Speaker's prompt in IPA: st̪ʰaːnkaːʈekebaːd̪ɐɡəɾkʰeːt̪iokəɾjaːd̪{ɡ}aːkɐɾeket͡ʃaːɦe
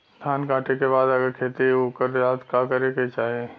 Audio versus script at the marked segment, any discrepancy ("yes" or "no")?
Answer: yes